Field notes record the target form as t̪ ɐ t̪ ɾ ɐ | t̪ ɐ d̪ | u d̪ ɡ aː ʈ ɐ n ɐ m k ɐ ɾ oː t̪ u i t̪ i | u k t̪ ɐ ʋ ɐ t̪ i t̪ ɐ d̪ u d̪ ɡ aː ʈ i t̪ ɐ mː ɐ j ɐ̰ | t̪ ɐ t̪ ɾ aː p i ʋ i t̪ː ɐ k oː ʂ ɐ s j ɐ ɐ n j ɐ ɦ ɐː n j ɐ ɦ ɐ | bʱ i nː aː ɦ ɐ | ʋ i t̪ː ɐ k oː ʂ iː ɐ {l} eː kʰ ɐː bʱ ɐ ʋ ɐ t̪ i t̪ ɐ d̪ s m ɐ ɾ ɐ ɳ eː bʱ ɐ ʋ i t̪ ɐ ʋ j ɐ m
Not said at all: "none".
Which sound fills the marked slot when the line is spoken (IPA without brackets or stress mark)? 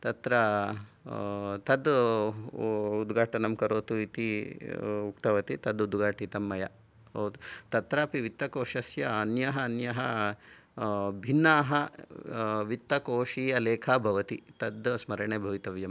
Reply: l